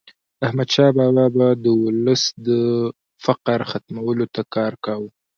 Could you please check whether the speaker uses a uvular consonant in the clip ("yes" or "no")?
yes